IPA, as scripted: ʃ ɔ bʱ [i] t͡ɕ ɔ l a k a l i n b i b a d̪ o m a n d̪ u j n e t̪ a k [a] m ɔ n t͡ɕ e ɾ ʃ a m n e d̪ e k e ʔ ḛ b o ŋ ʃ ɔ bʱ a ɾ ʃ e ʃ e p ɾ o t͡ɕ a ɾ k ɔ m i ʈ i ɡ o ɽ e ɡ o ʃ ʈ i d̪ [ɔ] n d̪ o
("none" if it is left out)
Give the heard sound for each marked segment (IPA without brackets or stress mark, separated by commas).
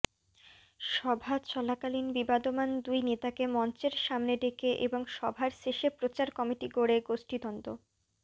a, e, ɔ